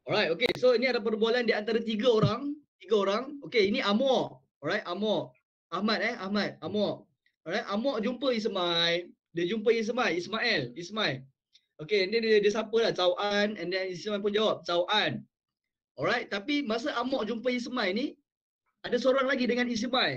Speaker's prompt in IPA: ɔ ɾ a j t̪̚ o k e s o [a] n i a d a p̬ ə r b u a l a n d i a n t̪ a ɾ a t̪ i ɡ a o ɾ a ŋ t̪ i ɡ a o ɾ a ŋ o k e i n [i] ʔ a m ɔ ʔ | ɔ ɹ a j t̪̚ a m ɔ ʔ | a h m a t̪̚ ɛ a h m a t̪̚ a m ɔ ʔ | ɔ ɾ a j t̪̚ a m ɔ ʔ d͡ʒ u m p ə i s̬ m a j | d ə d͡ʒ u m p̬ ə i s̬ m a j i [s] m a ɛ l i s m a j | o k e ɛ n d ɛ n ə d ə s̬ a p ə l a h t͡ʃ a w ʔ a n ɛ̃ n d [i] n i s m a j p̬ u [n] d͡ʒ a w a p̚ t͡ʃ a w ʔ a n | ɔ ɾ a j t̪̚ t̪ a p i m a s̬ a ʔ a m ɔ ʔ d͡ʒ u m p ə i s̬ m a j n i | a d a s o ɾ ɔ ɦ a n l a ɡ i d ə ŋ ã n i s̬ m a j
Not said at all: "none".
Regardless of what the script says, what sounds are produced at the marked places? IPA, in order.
i, i, s, ɛ, n

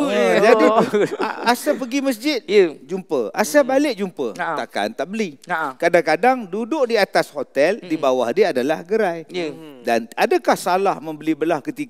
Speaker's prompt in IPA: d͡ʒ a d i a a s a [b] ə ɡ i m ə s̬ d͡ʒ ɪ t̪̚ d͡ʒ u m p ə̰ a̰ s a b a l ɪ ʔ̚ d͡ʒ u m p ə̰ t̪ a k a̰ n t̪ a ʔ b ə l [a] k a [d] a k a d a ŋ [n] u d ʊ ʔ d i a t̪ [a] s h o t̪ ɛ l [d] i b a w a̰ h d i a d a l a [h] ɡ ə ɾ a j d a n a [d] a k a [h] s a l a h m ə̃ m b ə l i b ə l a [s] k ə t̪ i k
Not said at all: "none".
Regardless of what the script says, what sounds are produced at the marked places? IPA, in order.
p, i, d, d, a, d, h, d, h, h

